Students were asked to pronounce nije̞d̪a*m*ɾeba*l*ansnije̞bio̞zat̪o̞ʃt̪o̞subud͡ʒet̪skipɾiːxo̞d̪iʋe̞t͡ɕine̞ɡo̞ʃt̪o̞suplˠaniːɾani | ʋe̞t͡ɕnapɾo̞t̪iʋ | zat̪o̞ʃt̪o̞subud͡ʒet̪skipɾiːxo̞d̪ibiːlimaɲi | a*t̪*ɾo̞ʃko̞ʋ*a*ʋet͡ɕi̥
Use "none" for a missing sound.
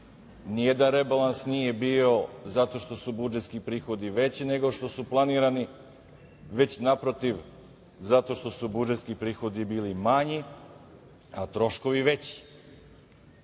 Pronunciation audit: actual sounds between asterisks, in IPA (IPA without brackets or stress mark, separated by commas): n, l, t̪, i